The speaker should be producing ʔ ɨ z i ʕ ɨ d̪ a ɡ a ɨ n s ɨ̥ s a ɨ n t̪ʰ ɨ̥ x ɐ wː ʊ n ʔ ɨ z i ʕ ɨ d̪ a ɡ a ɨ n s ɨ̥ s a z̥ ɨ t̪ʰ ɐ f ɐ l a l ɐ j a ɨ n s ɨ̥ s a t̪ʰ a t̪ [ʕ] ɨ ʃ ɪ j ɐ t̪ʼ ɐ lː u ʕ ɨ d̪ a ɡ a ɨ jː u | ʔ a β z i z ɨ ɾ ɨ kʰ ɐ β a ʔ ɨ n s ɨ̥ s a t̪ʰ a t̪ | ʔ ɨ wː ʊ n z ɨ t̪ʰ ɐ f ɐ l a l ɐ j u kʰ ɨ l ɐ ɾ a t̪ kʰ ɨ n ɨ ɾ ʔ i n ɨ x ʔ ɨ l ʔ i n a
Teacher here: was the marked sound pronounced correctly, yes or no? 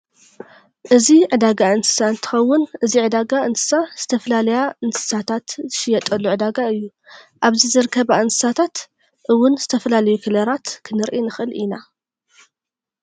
no